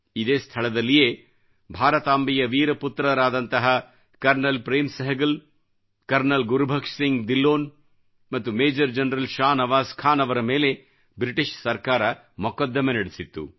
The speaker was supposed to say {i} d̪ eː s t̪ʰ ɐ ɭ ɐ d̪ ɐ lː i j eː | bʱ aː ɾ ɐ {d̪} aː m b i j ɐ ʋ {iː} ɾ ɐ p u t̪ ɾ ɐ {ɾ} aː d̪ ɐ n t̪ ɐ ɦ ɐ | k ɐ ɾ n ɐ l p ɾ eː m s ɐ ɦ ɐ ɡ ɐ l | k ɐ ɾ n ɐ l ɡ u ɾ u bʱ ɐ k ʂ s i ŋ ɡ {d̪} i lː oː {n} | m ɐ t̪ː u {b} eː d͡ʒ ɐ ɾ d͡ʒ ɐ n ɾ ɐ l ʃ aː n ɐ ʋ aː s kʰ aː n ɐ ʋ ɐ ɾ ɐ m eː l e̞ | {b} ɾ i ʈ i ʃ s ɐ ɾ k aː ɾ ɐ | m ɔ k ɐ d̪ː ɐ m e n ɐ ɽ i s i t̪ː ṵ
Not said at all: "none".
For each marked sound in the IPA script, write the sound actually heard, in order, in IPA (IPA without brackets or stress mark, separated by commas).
i, t̪, iː, ɾ, d̪, n, m, b